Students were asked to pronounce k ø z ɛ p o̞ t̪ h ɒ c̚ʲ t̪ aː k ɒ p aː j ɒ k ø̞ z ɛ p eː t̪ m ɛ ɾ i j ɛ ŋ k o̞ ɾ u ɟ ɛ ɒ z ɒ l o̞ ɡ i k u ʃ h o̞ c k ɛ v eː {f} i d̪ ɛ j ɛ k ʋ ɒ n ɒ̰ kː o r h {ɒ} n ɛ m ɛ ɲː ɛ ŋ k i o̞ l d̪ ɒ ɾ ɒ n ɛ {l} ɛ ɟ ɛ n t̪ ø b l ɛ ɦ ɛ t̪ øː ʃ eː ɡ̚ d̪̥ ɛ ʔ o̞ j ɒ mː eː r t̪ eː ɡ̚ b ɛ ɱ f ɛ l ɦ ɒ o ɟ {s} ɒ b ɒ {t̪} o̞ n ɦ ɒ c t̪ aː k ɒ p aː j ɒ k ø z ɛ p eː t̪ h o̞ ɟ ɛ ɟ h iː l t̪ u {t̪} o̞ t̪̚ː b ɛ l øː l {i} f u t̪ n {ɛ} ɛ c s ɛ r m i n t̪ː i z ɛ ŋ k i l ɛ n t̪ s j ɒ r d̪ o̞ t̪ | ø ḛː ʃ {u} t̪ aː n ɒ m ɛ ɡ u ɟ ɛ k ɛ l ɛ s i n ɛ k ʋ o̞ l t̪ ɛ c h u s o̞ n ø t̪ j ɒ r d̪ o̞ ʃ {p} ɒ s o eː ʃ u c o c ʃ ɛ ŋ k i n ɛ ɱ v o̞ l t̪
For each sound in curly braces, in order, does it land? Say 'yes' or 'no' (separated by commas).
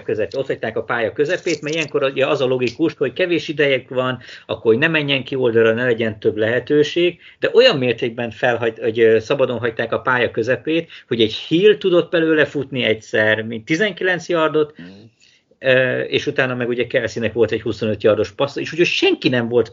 no, no, yes, yes, no, no, no, no, yes, yes